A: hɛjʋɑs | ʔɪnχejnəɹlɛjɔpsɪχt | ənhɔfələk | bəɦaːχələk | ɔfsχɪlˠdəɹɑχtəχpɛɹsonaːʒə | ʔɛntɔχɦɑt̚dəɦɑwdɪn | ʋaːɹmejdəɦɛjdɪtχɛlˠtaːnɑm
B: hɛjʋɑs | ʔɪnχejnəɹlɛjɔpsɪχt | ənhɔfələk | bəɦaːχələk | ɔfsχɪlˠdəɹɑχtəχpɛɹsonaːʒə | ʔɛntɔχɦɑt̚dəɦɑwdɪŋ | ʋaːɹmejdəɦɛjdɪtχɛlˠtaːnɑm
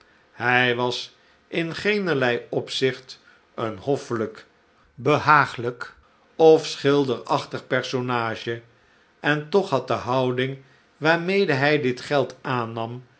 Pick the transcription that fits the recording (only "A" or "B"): B